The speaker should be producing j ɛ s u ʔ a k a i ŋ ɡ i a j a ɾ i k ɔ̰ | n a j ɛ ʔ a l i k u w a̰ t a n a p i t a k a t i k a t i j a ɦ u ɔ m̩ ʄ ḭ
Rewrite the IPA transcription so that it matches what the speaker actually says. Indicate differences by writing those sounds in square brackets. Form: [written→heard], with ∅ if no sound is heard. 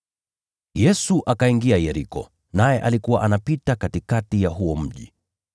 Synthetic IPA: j ɛ s u ʔ a k a i ŋ ɡ i a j [a→ɛ] ɾ i k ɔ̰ | n a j ɛ ʔ a l i k u w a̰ [t→ʔ] a n a p i t a k a t i k a t i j a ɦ u ɔ m̩ ʄ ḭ